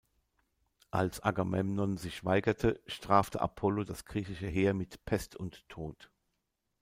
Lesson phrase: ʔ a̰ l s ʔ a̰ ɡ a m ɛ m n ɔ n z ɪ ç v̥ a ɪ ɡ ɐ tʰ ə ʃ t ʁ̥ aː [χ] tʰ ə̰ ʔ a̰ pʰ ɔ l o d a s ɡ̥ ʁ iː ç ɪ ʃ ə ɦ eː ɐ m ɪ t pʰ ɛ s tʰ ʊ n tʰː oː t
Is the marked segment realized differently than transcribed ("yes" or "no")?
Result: yes